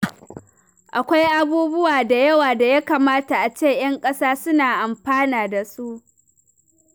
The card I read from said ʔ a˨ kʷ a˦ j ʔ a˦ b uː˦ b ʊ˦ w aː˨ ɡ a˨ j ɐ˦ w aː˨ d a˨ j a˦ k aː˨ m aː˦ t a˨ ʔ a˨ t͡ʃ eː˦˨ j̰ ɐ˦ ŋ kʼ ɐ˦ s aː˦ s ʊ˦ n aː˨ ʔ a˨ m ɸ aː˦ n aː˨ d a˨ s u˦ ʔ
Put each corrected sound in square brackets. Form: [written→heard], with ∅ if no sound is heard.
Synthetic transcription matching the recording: ʔ a˨ kʷ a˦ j ʔ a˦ b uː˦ b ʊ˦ w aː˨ [ɡ→d] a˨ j ɐ˦ w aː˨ d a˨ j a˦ k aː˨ m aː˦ t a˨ ʔ a˨ t͡ʃ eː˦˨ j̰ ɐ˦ ŋ kʼ ɐ˦ s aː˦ s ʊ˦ n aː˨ ʔ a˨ m ɸ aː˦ n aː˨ d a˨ s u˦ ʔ